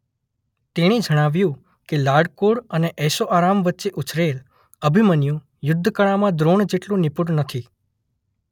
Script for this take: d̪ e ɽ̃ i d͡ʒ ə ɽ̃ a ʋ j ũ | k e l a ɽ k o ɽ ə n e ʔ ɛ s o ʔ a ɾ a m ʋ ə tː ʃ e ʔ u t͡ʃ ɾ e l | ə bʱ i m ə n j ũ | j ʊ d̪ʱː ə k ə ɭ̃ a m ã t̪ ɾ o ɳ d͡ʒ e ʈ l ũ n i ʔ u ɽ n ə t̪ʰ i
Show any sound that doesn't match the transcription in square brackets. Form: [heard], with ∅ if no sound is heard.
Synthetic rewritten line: [t̪] e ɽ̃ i d͡ʒ ə ɽ̃ a ʋ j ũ | k e l a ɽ k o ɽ ə n e ʔ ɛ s o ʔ a ɾ a m ʋ ə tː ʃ e ʔ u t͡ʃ ɾ e l | ə bʱ i m ə n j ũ | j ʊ d̪ʱː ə k ə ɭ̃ a m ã [d̪] ɾ o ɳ d͡ʒ e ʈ l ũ n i [p] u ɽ n ə t̪ʰ i